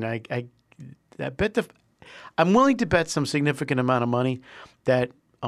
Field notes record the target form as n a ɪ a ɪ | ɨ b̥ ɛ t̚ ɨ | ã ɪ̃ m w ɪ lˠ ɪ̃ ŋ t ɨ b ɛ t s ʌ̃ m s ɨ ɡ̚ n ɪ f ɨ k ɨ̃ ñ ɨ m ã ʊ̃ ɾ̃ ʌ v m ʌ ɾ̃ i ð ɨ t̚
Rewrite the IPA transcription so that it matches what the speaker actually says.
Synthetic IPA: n a ɪ a ɪ | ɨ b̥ ɛ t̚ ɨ | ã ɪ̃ m w ɪ lˠ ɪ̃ ŋ t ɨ b ɛ t s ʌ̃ m s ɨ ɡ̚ n ɪ f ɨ k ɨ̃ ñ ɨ m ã ʊ̃ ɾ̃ ʌ v m ʌ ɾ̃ i ð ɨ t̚